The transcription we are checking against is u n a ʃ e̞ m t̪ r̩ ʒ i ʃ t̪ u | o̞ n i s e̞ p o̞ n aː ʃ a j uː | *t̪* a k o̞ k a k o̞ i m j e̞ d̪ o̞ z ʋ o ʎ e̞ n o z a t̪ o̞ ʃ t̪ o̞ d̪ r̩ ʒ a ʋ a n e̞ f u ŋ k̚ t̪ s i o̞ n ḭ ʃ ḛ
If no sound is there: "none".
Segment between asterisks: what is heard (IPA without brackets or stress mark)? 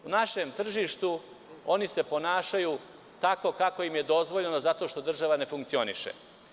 t̪